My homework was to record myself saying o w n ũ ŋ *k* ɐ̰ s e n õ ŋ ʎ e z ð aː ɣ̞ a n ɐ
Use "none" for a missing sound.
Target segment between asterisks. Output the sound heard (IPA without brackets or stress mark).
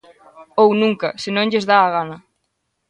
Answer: k